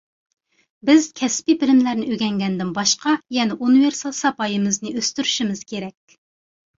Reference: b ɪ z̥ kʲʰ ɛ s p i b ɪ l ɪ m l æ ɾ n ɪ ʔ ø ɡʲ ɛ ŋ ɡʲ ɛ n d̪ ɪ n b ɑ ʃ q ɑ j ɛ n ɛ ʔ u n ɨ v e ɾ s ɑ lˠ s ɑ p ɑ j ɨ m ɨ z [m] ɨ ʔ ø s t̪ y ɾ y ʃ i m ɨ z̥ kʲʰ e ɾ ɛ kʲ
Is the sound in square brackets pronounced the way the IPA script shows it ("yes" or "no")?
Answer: no